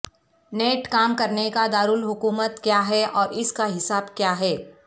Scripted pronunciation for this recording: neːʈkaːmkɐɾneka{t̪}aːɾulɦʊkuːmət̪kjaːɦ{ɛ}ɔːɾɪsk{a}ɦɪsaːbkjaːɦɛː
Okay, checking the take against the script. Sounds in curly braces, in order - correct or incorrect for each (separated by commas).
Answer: incorrect, correct, correct